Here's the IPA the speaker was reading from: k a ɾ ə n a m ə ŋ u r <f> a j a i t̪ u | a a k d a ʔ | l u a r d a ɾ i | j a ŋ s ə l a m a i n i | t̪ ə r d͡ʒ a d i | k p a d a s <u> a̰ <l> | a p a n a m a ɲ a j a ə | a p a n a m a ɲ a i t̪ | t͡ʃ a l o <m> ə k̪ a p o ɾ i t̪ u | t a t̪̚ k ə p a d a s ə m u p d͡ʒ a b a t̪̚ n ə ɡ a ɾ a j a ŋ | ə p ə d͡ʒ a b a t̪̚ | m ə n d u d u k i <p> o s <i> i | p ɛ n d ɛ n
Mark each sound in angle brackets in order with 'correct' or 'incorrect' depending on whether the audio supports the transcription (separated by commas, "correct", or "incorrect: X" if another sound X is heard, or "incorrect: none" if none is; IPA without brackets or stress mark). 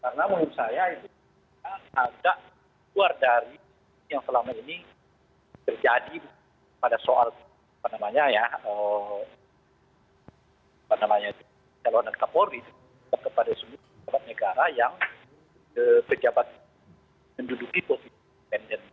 incorrect: s, incorrect: o, correct, incorrect: n, correct, correct